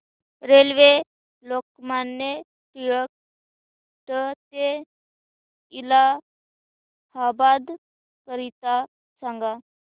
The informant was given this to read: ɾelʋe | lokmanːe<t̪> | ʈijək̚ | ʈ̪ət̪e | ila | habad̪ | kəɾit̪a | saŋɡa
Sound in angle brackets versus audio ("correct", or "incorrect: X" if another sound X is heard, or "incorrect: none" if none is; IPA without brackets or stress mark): incorrect: none